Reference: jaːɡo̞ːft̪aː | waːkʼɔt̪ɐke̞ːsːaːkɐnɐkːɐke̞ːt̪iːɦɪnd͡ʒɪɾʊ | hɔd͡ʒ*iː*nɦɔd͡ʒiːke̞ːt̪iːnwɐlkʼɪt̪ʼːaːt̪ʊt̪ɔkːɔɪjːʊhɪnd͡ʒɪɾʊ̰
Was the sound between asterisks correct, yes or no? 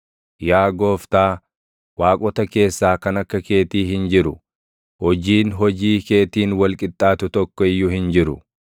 yes